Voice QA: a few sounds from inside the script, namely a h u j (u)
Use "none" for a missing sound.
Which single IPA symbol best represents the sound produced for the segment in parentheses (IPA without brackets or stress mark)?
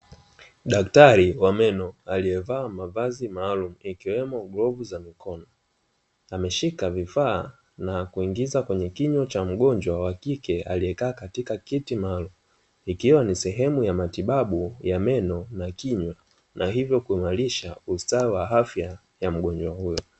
ɔ